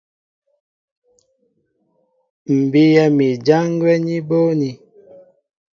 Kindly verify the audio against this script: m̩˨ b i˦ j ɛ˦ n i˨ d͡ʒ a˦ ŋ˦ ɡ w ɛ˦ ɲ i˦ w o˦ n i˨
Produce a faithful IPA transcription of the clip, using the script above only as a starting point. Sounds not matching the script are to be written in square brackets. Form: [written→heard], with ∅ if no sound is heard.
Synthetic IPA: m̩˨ b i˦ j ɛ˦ [n→m] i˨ d͡ʒ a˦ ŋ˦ ɡ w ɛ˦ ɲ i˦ [w→b] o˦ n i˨